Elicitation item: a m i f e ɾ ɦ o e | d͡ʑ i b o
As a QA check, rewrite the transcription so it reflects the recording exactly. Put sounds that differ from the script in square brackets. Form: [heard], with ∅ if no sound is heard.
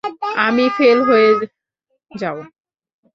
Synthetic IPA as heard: a m i f e [l] ɦ o e | d͡ʑ [a] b o